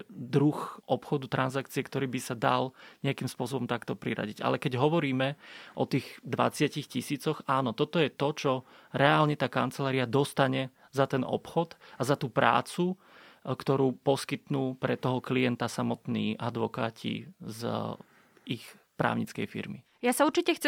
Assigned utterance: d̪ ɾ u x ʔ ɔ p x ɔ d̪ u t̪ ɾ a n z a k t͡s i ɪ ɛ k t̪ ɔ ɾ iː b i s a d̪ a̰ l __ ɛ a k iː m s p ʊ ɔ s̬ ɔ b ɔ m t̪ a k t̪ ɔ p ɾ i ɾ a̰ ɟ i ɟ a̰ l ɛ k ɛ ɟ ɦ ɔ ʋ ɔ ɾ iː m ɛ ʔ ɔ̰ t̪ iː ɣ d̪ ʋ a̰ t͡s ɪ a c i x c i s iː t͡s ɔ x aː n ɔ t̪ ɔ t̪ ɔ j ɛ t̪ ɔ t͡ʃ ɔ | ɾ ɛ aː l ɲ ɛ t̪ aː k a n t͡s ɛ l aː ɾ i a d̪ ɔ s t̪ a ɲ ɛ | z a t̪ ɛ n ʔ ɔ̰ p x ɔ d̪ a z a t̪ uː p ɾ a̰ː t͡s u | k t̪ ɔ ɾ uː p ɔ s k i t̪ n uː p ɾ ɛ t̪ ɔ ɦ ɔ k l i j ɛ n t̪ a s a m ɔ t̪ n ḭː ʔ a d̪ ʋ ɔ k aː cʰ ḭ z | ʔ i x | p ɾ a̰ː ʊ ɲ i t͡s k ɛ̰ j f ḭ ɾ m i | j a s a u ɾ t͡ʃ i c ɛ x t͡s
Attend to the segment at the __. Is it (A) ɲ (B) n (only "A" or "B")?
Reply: A